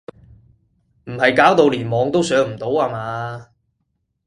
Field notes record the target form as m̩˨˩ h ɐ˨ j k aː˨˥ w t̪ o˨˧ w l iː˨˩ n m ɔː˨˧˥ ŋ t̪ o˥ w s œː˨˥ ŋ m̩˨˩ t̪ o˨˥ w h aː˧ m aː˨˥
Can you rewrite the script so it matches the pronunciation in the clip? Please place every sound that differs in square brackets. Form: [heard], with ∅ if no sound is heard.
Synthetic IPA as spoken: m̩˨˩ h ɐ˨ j k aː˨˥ w t̪ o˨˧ w l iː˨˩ n m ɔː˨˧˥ ŋ t̪ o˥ w s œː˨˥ ŋ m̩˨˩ t̪ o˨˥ w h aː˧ m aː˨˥